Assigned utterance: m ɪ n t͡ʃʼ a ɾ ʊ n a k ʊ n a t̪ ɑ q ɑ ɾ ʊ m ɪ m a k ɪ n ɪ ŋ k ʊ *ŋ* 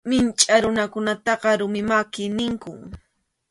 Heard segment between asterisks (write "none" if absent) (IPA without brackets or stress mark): ŋ